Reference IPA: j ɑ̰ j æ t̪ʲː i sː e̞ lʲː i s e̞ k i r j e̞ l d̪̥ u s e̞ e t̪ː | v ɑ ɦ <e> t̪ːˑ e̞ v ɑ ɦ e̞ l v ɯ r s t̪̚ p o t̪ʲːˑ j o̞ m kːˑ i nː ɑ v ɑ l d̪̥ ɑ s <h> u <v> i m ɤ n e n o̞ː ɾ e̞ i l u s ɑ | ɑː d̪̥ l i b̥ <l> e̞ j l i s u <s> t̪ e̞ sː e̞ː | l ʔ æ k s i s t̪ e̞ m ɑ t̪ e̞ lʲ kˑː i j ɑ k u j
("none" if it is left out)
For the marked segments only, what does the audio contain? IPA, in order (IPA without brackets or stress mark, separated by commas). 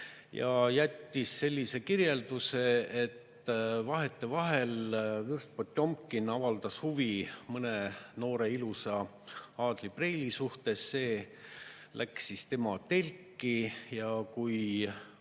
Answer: e, h, v, r, h